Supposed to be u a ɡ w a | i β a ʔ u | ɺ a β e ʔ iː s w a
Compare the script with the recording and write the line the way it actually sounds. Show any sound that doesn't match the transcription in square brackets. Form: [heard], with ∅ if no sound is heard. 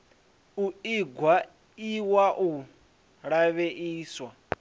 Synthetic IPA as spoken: u [i] ɡ w a | i [w] a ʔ u | ɺ a β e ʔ iː s w a